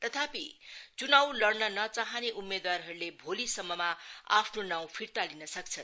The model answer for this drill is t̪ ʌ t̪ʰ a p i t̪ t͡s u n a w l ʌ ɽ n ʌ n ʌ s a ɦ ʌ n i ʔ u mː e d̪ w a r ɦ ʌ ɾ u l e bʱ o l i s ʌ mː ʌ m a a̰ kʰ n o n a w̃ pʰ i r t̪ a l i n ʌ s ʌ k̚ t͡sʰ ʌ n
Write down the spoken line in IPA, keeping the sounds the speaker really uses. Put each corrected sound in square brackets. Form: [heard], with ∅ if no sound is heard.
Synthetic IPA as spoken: t̪ ʌ t̪ʰ a p i [∅] t͡s u n a w l ʌ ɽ n ʌ n ʌ [t͡s] a ɦ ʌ n [e] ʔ u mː e d̪ w a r ɦ ʌ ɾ u l e bʱ o l i s ʌ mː ʌ m a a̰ [pʰ] n o n a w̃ pʰ i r t̪ a l i n ʌ s ʌ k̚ t͡sʰ ʌ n

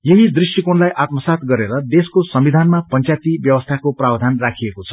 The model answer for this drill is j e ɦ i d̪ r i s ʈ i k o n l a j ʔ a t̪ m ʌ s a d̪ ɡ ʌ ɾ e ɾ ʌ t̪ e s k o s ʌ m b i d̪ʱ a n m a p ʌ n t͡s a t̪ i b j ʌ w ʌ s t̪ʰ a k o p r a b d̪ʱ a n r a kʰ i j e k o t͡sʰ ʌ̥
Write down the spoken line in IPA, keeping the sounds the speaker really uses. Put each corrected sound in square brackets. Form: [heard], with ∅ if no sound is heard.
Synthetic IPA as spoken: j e ɦ i d̪ r i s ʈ i k o n l a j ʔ a t̪ m ʌ s a [t̪] ɡ ʌ ɾ e ɾ ʌ [d̪] e s k o s ʌ m b i d̪ʱ a n m a p ʌ n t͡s a t̪ i b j ʌ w ʌ s t̪ʰ a k o p r a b d̪ʱ a n r a kʰ i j e k o t͡sʰ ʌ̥

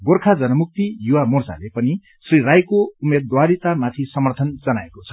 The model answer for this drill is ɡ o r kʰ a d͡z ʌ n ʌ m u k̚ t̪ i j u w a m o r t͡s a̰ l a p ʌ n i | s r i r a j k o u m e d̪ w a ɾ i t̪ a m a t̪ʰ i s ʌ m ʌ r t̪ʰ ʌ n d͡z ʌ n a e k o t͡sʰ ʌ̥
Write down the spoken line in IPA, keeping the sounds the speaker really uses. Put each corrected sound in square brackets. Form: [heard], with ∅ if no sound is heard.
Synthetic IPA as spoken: ɡ o r kʰ a d͡z ʌ n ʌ m u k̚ t̪ i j u w a m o r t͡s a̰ l [e] p ʌ n i | s r i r a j k o u m e d̪ w a ɾ i t̪ a m a t̪ʰ i s ʌ m ʌ r t̪ʰ ʌ n d͡z ʌ n a e k o t͡sʰ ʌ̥

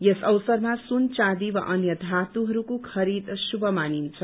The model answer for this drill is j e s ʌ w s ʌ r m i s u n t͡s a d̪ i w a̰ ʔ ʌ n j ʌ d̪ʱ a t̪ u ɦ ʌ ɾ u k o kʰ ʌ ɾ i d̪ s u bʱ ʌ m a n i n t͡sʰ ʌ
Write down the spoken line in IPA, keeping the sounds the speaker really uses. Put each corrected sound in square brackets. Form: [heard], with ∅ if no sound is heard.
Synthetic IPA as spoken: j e s ʌ w s ʌ r m [a] s u n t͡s a d̪ i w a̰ ʔ ʌ n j ʌ d̪ʱ a t̪ u ɦ ʌ ɾ u k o kʰ ʌ ɾ i d̪ s u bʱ ʌ m a n i n t͡sʰ ʌ

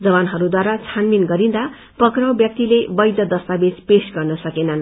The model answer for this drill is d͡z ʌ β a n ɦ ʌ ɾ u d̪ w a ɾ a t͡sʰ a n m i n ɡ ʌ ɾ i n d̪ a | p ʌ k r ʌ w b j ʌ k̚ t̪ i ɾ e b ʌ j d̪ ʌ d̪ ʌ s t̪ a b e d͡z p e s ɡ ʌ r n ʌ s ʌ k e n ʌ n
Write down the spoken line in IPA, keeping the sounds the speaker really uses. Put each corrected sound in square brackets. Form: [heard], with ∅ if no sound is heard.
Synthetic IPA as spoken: d͡z ʌ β a n ɦ ʌ ɾ u d̪ w a ɾ a t͡sʰ a n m i n ɡ ʌ ɾ i n d̪ a | p ʌ k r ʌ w b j ʌ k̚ t̪ i [l] e b ʌ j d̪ ʌ d̪ ʌ s t̪ a b e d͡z p e s ɡ ʌ r n ʌ s ʌ k e n ʌ n

